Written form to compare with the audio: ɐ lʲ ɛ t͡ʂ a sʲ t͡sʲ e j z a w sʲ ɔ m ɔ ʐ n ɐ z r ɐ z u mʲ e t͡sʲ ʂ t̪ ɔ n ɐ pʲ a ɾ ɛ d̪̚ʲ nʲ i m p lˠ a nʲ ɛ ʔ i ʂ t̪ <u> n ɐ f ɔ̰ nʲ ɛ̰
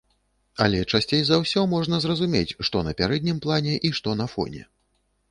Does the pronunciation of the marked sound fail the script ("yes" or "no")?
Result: yes